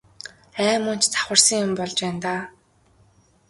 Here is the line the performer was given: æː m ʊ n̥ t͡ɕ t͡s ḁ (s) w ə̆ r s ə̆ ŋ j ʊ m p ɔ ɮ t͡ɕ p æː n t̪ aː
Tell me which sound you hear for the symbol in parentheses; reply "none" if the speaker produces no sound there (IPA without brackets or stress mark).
χ